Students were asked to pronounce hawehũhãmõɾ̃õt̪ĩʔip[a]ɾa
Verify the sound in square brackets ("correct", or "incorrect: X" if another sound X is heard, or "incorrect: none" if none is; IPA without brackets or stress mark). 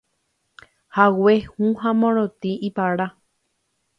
correct